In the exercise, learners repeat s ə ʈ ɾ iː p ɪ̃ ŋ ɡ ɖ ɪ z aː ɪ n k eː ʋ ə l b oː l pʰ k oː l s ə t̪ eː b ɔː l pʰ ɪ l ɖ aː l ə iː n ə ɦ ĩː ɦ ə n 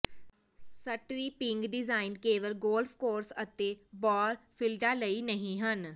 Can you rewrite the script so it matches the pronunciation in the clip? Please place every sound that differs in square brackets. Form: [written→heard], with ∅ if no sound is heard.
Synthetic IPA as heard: s ə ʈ ɾ iː p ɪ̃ ŋ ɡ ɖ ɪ z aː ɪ n k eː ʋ ə l [b→ɡ] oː l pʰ k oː [l→ɾ] s ə t̪ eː b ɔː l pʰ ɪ l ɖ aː l ə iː n ə ɦ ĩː ɦ ə n